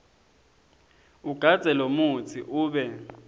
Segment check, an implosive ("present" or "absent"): present